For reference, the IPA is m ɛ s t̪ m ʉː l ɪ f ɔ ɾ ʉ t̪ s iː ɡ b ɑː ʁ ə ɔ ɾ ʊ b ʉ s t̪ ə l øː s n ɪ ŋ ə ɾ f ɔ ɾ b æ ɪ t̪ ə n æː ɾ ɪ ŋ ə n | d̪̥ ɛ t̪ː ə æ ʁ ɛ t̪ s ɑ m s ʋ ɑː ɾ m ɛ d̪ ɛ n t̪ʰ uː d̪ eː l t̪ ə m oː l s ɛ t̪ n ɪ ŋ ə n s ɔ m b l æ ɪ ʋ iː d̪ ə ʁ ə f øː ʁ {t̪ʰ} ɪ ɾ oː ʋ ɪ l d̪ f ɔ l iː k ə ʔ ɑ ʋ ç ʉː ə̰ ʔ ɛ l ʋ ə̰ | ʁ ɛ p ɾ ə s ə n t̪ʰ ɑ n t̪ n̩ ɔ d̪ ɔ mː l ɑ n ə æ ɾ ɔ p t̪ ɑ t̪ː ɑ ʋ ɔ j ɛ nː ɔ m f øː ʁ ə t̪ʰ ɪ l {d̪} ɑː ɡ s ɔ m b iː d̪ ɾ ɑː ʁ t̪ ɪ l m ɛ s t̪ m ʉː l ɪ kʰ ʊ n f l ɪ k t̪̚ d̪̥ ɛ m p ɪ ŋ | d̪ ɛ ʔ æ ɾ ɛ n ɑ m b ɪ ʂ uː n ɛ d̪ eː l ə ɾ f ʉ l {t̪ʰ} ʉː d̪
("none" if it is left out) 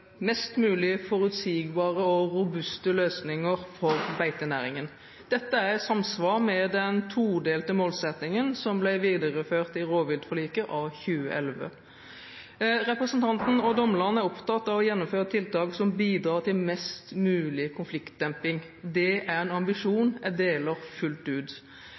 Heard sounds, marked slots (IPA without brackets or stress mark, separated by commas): t̪, t̪, t̪